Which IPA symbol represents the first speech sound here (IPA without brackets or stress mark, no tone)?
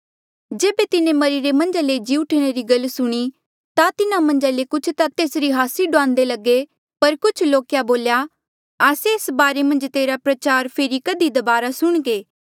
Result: d͡ʒ